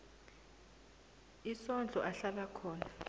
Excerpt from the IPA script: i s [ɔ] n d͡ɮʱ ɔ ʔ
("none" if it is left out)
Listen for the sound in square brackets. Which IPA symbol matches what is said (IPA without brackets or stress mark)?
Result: ɔ